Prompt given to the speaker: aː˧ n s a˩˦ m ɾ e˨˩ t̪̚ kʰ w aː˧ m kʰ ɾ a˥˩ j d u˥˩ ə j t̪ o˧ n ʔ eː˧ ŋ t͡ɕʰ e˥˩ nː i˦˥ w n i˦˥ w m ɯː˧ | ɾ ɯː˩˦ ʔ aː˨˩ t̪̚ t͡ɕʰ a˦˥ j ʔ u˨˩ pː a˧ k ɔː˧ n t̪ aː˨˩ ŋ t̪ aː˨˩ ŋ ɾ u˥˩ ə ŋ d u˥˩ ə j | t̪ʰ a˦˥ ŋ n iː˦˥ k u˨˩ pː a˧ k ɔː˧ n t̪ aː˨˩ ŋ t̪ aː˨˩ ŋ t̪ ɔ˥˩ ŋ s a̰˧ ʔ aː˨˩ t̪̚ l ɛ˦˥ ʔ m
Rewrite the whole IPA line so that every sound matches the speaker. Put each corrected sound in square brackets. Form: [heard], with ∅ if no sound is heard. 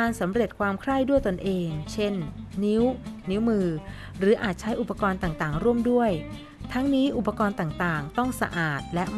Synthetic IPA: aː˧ n s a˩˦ m ɾ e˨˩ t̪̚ kʰ w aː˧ m kʰ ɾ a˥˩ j d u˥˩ ə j t̪ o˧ n ʔ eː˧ ŋ t͡ɕʰ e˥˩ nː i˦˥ w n i˦˥ w m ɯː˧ | ɾ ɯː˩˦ ʔ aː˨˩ t̪̚ t͡ɕʰ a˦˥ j ʔ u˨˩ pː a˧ k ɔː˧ n t̪ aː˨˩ ŋ t̪ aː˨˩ ŋ ɾ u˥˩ ə [m] d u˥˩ ə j | t̪ʰ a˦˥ ŋ n iː˦˥ [ʔ] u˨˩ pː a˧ k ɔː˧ n t̪ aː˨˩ ŋ t̪ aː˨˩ ŋ t̪ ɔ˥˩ ŋ s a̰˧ ʔ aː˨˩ t̪̚ l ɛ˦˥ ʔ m